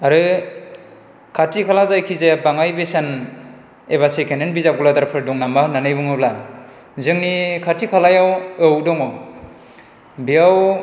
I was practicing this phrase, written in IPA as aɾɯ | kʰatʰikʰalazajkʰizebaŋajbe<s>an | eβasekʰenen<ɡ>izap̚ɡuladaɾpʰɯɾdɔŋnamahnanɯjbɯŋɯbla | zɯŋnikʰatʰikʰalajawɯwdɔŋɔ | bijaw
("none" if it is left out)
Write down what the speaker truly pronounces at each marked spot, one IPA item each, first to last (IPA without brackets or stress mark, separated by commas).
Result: s, b